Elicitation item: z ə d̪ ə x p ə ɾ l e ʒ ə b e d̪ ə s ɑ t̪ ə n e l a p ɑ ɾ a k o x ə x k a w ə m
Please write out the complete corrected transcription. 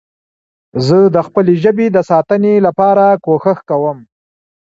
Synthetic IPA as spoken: z ə d̪ ə x p ə l e ʒ ə b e d̪ ə s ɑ t̪ ə n e l a p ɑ ɾ a k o x ə x k a w ə m